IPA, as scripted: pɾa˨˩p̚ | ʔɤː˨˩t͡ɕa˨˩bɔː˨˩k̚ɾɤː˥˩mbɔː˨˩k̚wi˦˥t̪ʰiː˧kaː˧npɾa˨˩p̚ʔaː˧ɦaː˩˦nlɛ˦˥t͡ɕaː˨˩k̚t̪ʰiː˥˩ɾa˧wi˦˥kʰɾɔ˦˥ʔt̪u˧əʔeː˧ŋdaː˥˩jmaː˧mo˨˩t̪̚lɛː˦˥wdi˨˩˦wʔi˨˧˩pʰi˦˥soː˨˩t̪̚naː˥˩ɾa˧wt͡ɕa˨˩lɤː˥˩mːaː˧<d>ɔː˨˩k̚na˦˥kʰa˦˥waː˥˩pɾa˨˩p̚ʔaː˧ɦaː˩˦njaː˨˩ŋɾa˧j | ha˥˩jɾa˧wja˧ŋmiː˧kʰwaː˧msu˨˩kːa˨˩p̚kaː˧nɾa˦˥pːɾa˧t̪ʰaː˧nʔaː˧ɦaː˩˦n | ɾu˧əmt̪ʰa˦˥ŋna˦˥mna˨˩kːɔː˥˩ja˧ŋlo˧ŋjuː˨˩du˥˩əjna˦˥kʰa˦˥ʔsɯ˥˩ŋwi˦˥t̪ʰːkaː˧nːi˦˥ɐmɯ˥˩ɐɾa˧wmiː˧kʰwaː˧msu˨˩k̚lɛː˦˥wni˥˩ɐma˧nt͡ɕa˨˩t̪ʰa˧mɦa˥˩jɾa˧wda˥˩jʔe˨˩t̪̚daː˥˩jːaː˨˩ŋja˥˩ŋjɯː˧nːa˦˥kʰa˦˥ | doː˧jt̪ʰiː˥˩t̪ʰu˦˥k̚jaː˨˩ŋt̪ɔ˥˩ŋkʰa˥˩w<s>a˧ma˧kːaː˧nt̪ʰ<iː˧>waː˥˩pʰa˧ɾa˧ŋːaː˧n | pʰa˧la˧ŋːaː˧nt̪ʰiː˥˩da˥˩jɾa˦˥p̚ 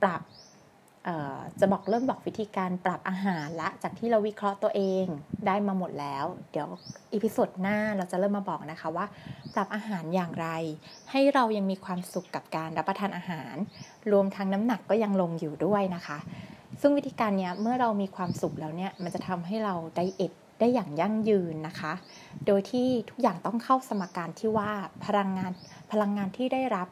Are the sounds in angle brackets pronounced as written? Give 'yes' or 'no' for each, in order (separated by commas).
no, yes, no